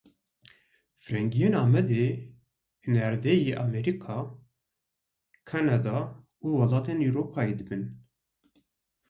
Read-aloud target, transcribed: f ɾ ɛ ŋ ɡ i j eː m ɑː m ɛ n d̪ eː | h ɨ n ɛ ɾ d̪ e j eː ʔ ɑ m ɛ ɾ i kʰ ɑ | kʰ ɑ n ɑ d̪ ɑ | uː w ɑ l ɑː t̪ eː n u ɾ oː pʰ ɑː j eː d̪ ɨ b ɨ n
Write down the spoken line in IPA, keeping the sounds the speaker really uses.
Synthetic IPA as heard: f ɾ ɛ ŋ ɡ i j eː n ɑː m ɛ d̪ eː | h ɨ n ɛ ɾ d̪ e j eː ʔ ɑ m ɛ ɾ i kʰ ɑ | kʰ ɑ n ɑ d̪ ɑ | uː w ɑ l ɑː t̪ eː n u ɾ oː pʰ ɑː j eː d̪ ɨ b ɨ n